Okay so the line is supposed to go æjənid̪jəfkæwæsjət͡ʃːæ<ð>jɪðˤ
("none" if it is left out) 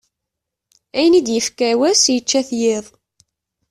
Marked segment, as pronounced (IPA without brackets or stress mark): θ